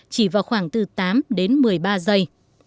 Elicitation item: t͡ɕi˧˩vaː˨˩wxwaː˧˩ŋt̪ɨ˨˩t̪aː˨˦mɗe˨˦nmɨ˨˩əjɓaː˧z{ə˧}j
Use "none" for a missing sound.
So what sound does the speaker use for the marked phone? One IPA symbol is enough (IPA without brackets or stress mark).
ə˧